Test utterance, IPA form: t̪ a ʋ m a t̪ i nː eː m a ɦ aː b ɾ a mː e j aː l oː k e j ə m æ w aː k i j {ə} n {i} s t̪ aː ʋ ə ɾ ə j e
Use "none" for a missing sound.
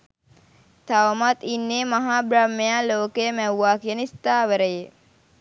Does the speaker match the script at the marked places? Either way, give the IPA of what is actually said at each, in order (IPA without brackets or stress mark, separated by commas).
ə, i